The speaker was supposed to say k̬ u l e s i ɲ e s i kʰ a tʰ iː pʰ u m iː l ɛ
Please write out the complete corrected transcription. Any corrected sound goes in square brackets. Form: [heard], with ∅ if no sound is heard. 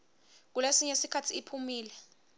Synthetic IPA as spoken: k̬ u l e s i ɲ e s i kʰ a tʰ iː pʰ u m iː l ɛ